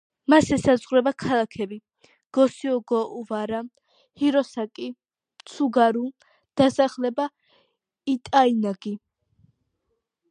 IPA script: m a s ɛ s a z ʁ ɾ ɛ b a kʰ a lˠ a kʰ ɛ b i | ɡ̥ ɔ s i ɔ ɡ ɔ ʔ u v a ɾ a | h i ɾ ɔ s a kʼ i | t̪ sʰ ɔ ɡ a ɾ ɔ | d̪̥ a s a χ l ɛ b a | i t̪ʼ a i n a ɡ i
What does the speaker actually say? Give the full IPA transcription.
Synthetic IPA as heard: m a s ɛ s a z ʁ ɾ ɛ b a kʰ a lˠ a kʰ ɛ b i | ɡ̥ ɔ s i ɔ ɡ ɔ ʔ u v a ɾ a | h i ɾ ɔ s a kʼ i | t̪ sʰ u ɡ a ɾ u | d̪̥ a s a χ l ɛ b a | i t̪ʼ a i n a ɡ i

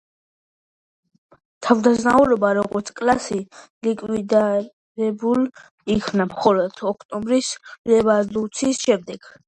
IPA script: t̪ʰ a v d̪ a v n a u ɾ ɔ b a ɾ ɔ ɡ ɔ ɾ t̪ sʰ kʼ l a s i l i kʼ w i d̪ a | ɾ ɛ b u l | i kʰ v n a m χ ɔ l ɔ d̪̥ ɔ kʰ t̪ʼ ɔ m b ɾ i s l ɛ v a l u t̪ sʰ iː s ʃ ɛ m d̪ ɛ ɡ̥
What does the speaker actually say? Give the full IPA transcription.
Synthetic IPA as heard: t̪ʰ a v d̪ a z n a u ɾ ɔ b a ɾ ɔ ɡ ɔ ɾ t̪ sʰ kʼ l a s i l i kʼ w i d̪ a | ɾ ɛ b u l | i kʰ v n a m χ ɔ l ɔ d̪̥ ɔ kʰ t̪ʼ ɔ m b ɾ i s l ɛ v a l u t̪ sʰ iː s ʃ ɛ m d̪ ɛ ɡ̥

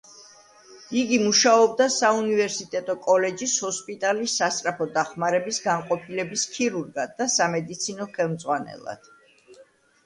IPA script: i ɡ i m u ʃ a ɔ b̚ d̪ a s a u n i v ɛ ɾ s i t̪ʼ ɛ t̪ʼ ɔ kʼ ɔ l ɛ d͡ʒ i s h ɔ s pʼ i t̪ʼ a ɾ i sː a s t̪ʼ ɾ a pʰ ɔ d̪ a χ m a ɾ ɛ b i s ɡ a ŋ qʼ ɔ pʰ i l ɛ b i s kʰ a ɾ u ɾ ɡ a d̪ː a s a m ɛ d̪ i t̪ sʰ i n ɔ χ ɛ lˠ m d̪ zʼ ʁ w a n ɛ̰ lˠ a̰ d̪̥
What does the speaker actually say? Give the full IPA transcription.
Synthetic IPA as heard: i ɡ i m u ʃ a ɔ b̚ d̪ a s a u n i v ɛ ɾ s i t̪ʼ ɛ t̪ʼ ɔ kʼ ɔ l ɛ d͡ʒ i s h ɔ s pʼ i t̪ʼ a l i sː a s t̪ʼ ɾ a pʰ ɔ d̪ a χ m a ɾ ɛ b i s ɡ a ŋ qʼ ɔ pʰ i l ɛ b i s kʰ i ɾ u ɾ ɡ a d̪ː a s a m ɛ d̪ i t̪ sʰ i n ɔ χ ɛ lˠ m d̪ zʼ ʁ w a n ɛ̰ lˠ a̰ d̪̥

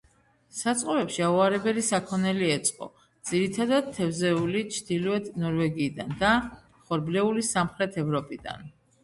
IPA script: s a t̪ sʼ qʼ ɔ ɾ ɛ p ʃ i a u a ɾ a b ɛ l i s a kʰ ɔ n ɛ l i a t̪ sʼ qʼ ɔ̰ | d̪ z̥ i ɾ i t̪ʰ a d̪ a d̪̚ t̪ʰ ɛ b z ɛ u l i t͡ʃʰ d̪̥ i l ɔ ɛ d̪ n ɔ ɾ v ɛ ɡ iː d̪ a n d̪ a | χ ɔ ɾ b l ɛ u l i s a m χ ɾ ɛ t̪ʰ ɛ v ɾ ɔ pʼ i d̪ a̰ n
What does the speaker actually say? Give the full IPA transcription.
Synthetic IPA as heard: s a t̪ sʼ qʼ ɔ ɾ ɛ p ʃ i a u a ɾ ɛ b ɛ l i s a kʰ ɔ n ɛ l i ɛ t̪ sʼ qʼ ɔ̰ | d̪ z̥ i ɾ i t̪ʰ a d̪ a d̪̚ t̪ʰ ɛ v z ɛ u l i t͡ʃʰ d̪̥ i l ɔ ɛ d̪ n ɔ ɾ v ɛ ɡ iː d̪ a n d̪ a | χ ɔ ɾ b l ɛ u l i s a m χ ɾ ɛ t̪ʰ ɛ v ɾ ɔ pʼ i d̪ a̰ n

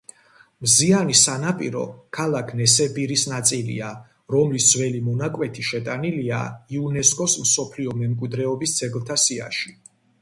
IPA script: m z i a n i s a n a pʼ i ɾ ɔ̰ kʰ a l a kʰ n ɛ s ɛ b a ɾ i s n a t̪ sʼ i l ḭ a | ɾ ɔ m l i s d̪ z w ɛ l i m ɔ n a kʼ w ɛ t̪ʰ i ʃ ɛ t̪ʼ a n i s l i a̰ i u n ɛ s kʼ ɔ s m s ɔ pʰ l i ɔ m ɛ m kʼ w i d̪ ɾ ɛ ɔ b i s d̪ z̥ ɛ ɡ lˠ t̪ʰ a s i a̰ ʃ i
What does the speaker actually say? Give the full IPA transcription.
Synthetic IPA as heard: m z i a n i s a n a pʼ i ɾ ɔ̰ kʰ a l a kʰ n ɛ s ɛ b i ɾ i s n a t̪ sʼ i l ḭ a | ɾ ɔ m l i s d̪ z w ɛ l i m ɔ n a kʼ w ɛ t̪ʰ i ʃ ɛ t̪ʼ a n i l i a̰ i u n ɛ s kʼ ɔ s m s ɔ pʰ l i ɔ m ɛ m kʼ w i d̪ ɾ ɛ ɔ b i s d̪ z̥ ɛ ɡ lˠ t̪ʰ a s i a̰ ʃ i

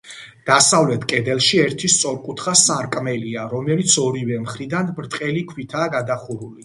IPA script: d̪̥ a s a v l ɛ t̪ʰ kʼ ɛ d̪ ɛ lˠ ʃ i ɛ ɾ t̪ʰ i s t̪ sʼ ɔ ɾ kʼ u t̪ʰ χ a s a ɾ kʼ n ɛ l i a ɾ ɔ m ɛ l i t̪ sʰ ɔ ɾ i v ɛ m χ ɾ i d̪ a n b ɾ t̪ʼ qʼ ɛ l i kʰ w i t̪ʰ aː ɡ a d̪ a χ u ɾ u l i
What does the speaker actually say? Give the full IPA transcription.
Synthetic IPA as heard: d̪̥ a s a v l ɛ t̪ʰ kʼ ɛ d̪ ɛ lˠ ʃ i ɛ ɾ t̪ʰ i s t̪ sʼ ɔ ɾ kʼ u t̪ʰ χ a s a ɾ kʼ m ɛ l i a ɾ ɔ m ɛ l i t̪ sʰ ɔ ɾ i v ɛ m χ ɾ i d̪ a n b ɾ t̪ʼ qʼ ɛ l i kʰ w i t̪ʰ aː ɡ a d̪ a χ u ɾ u l i

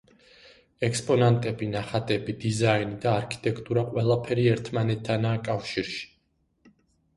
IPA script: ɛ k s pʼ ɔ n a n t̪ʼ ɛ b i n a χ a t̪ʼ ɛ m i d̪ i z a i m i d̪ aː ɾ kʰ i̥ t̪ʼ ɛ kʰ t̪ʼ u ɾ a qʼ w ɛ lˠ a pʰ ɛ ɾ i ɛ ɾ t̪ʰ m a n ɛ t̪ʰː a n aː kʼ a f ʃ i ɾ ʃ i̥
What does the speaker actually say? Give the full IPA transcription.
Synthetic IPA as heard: ɛ k s pʼ ɔ n a n t̪ʼ ɛ b i n a χ a t̪ʼ ɛ b i d̪ i z a i n i d̪ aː ɾ kʰ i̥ t̪ʼ ɛ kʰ t̪ʼ u ɾ a qʼ w ɛ lˠ a pʰ ɛ ɾ i ɛ ɾ t̪ʰ m a n ɛ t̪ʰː a n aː kʼ a f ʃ i ɾ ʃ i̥

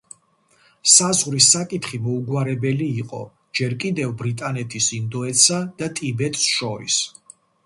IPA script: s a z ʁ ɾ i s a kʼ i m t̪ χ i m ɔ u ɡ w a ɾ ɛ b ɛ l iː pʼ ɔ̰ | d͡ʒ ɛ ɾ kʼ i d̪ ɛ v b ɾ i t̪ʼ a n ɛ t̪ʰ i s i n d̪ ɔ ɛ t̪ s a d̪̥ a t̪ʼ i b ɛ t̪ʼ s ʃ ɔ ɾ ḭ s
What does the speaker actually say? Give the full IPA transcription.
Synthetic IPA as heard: s a z ʁ ɾ i s a kʼ i t̪ χ i m ɔ u ɡ w a ɾ ɛ b ɛ l iː qʼ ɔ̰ | d͡ʒ ɛ ɾ kʼ i d̪ ɛ v b ɾ i t̪ʼ a n ɛ t̪ʰ i s i n d̪ ɔ ɛ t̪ s a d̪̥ a t̪ʼ i b ɛ t̪ʼ s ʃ ɔ ɾ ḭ s

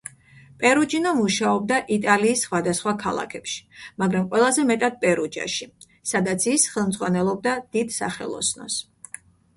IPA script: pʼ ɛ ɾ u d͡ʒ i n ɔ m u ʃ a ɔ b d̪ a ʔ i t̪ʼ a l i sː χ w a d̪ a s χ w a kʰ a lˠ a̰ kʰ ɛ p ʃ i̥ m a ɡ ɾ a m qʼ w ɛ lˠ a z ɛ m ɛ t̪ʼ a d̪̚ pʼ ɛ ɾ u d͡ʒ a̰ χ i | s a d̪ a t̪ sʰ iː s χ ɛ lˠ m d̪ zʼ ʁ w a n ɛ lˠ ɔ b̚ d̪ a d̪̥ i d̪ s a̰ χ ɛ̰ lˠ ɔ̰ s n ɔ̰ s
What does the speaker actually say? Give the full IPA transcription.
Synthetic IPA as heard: pʼ ɛ ɾ u d͡ʒ i n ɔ m u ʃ a ɔ b d̪ a ʔ i t̪ʼ a l iː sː χ w a d̪ a s χ w a kʰ a lˠ a̰ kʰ ɛ p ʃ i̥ m a ɡ ɾ a m qʼ w ɛ lˠ a z ɛ m ɛ t̪ʼ a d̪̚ pʼ ɛ ɾ u d͡ʒ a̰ ʃ i | s a d̪ a t̪ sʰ i s χ ɛ lˠ m d̪ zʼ ʁ w a n ɛ lˠ ɔ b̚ d̪ a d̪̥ i d̪ s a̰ χ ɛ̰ lˠ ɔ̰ s n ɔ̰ s

